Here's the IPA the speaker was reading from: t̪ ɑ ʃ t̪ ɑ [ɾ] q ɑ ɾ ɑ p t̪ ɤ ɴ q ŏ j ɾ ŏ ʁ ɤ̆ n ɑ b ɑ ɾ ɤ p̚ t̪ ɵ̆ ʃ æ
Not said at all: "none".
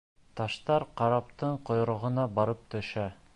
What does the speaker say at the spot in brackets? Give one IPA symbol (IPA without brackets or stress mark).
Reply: ɾ